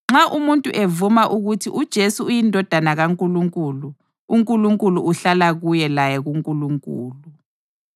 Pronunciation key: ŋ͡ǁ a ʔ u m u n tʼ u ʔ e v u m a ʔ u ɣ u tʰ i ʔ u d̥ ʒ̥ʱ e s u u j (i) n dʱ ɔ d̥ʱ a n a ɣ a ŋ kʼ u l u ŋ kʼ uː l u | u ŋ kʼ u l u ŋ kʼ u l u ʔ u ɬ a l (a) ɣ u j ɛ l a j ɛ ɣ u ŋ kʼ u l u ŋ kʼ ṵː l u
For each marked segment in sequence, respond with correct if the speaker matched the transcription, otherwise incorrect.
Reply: correct, correct

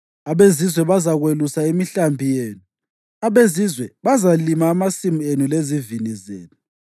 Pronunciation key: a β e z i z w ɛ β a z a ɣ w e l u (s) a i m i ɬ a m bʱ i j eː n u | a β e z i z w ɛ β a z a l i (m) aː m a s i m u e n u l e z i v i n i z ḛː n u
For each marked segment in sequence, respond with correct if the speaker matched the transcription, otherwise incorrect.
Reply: correct, correct

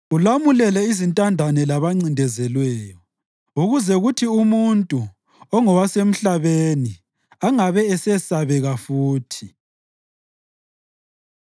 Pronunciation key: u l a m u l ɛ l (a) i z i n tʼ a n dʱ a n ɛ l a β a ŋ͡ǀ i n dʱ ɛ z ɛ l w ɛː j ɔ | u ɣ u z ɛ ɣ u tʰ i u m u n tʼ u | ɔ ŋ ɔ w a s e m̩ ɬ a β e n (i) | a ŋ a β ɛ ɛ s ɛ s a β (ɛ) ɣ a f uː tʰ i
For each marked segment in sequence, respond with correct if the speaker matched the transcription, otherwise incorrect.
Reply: incorrect: ɛ, correct, correct

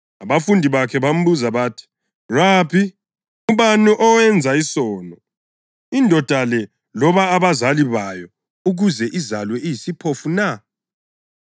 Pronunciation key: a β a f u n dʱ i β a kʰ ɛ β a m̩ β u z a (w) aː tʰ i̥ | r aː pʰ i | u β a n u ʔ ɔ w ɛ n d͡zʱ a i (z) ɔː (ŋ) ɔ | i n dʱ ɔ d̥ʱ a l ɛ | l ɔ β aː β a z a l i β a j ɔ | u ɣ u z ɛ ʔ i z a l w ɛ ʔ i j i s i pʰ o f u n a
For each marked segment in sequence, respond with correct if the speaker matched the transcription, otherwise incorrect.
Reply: incorrect: β, incorrect: s, incorrect: n

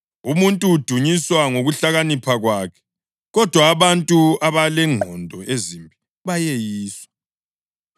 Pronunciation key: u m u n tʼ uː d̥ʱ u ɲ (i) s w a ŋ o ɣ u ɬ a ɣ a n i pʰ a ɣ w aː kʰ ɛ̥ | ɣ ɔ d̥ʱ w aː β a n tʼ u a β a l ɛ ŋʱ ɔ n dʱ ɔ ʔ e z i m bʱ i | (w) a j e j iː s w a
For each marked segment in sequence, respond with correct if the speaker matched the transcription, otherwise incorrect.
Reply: correct, incorrect: β

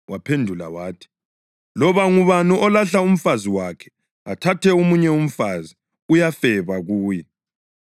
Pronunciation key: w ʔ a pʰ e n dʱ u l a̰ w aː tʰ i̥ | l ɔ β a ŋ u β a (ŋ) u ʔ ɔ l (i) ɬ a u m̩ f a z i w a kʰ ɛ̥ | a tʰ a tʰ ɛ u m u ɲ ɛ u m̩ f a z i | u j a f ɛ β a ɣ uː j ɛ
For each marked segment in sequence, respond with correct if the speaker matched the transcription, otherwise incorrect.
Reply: incorrect: n, incorrect: a

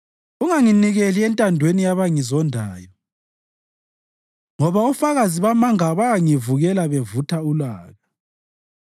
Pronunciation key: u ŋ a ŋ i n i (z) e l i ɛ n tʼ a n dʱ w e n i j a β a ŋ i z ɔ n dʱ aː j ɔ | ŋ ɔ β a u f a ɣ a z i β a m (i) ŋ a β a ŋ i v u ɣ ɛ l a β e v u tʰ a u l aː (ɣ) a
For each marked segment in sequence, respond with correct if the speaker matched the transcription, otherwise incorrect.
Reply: incorrect: ɣ, incorrect: a, correct

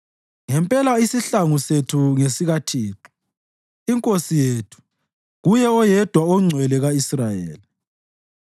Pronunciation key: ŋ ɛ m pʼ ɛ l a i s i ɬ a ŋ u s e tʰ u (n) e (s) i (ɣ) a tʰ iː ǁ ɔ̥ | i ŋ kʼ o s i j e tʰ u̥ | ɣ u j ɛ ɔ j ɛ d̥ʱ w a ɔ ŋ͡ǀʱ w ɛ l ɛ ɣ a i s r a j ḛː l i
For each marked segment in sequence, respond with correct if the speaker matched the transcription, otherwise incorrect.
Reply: incorrect: ŋ, correct, correct

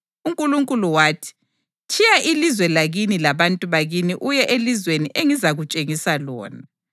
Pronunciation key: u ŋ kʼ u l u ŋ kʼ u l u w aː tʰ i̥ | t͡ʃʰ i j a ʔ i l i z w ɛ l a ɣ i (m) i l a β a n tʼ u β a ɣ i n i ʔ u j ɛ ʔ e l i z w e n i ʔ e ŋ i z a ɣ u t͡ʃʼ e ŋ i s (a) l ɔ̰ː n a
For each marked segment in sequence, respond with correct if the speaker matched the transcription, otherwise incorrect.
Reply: incorrect: n, correct

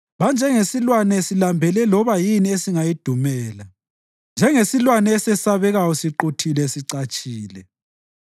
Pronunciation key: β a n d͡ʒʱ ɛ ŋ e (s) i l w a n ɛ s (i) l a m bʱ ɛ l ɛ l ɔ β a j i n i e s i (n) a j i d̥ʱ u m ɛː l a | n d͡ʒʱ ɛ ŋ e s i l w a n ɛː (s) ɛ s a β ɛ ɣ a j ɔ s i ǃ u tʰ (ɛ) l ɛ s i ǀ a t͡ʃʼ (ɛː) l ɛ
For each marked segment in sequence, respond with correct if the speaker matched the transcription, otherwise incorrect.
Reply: correct, correct, incorrect: ŋ, correct, incorrect: i, incorrect: iː

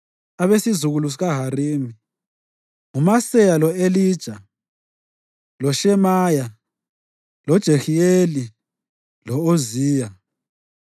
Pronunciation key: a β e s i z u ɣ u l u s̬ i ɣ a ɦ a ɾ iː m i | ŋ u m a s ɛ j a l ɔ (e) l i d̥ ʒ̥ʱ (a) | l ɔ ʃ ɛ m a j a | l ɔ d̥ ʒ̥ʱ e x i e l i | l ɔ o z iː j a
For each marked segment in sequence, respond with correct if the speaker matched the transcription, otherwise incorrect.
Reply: correct, correct

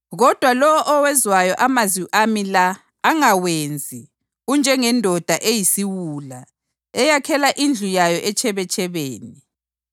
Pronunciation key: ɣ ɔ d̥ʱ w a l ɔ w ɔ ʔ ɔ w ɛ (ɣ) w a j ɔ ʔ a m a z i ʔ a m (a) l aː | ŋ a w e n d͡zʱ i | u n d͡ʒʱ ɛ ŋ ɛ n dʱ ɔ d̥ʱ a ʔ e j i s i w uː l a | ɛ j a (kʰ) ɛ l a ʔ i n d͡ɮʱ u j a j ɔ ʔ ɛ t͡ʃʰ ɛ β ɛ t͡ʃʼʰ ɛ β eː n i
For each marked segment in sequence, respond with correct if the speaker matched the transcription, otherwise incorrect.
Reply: incorrect: z, incorrect: i, correct

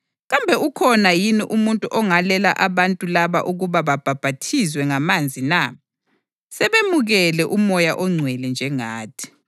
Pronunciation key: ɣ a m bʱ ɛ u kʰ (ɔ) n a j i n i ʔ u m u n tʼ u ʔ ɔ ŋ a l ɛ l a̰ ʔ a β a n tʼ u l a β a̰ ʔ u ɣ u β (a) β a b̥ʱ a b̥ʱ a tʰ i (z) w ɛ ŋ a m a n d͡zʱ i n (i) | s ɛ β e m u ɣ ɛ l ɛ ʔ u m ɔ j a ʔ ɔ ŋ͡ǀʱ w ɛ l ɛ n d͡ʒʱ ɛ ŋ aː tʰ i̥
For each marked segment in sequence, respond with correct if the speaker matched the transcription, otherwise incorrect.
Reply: correct, correct, correct, incorrect: a

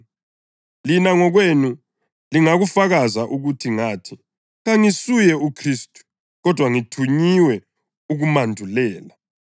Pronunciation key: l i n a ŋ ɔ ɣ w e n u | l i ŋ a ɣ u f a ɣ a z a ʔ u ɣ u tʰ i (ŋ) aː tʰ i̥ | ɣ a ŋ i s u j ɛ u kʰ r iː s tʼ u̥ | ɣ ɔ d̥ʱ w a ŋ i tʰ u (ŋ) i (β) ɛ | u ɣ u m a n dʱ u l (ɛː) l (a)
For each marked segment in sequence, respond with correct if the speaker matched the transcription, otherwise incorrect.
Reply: correct, incorrect: ɲ, incorrect: w, correct, correct

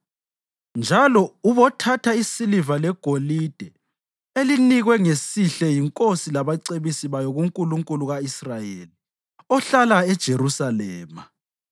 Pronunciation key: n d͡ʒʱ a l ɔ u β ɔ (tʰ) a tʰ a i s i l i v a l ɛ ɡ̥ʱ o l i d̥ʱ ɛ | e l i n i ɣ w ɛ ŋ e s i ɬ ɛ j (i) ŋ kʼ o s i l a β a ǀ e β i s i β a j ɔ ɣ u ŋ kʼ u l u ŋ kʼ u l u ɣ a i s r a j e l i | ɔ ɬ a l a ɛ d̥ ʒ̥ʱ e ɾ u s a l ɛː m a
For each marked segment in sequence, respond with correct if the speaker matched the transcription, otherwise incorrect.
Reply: correct, correct

